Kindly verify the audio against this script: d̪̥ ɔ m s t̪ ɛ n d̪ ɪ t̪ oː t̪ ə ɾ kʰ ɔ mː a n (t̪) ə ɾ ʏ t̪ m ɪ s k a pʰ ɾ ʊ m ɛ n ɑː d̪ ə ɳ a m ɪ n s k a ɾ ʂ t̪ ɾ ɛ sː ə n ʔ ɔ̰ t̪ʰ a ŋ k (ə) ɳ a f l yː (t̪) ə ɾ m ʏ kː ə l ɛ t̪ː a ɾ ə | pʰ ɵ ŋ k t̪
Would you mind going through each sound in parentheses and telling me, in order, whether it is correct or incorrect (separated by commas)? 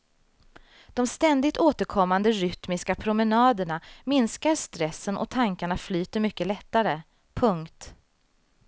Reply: incorrect, incorrect, correct